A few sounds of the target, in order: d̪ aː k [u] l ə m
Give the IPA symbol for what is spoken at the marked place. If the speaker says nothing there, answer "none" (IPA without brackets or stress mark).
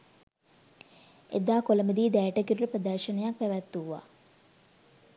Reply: o